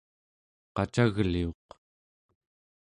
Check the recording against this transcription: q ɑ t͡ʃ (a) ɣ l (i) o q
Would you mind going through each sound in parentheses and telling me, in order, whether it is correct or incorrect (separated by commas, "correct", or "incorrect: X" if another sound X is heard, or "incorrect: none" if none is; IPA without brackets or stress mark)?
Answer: correct, correct